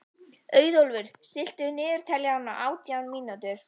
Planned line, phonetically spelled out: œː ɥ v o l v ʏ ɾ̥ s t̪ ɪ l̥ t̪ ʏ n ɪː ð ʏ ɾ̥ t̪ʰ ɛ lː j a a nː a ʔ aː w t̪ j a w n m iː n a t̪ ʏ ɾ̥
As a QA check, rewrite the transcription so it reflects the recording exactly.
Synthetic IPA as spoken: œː ɥ ð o l v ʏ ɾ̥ s t̪ ɪ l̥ t̪ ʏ n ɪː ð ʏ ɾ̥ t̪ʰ ɛ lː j a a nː a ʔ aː w t̪ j a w n m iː n a t̪ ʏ ɾ̥